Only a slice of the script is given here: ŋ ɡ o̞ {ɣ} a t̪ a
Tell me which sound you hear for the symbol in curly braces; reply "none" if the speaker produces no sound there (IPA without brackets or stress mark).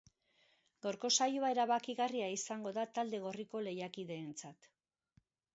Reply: ð